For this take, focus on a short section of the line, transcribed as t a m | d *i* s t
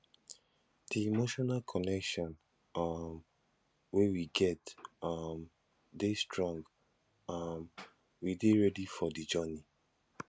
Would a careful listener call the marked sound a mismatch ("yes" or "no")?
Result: yes